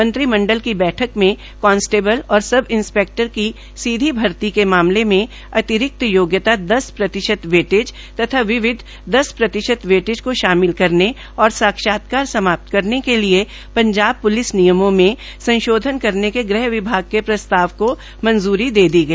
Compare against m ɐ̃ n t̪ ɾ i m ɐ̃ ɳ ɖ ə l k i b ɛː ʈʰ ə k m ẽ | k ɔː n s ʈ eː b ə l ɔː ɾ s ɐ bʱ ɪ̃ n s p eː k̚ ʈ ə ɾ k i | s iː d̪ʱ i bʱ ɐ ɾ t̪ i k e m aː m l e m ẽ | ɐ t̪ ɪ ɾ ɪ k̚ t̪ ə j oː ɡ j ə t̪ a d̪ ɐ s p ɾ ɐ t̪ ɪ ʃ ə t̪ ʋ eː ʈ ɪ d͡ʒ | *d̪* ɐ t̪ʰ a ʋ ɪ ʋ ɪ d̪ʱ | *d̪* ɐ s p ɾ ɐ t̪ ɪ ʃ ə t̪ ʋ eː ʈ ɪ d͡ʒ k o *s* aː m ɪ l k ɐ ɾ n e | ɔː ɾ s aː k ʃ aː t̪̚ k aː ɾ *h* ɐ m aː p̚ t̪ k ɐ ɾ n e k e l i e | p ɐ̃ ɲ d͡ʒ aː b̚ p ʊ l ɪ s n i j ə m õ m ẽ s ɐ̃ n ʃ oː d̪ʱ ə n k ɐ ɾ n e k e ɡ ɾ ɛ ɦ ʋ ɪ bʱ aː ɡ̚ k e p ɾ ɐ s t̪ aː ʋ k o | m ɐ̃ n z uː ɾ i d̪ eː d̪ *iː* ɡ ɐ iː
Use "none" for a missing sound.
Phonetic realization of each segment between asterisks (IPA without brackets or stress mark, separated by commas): t̪, d̪, ʃ, s, i